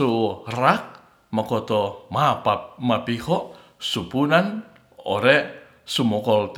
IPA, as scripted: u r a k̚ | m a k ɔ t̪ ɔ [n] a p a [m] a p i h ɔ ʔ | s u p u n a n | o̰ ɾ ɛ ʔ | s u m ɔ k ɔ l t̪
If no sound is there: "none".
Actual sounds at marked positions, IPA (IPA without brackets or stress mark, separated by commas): m, m